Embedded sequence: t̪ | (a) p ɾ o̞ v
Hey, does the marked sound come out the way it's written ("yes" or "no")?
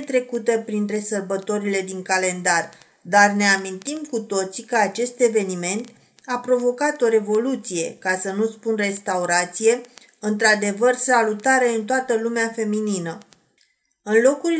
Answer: yes